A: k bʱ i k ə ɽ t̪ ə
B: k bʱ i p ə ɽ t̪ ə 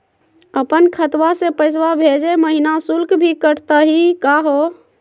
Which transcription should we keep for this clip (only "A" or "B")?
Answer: A